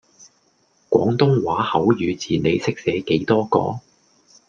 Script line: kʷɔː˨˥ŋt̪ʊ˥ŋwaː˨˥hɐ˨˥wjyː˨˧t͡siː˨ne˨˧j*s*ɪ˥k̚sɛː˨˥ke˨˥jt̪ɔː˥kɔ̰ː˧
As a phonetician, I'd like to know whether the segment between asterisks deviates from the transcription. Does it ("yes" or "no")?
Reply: no